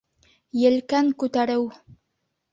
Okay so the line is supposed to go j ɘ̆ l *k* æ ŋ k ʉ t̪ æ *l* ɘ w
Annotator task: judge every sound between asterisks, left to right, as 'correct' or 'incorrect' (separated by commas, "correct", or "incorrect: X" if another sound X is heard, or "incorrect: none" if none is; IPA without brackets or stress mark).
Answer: correct, incorrect: ɾ